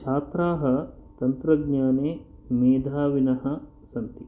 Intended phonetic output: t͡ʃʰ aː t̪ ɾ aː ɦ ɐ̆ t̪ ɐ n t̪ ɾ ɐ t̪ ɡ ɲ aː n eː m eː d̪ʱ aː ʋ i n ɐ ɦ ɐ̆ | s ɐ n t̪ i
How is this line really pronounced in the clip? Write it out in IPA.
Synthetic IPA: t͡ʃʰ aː t̪ ɾ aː ɦ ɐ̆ t̪ ɐ n t̪ ɾ ɐ ɡ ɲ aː n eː m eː d̪ʱ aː ʋ i n ɐ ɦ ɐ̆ | s ɐ n t̪ i